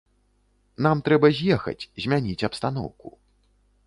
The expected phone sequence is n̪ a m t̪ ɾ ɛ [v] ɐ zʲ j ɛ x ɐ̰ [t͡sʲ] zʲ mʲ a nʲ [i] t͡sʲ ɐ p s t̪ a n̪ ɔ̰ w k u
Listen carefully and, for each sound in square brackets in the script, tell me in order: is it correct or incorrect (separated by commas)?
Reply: incorrect, correct, correct